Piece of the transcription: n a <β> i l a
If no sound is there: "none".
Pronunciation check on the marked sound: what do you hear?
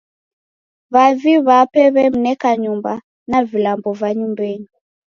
v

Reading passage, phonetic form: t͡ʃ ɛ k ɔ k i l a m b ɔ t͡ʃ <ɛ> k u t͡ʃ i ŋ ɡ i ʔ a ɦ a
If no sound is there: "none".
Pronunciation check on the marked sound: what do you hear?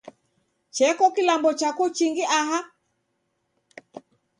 a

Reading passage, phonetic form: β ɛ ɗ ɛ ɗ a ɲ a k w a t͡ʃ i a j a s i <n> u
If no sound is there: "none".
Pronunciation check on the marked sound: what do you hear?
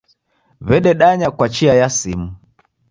m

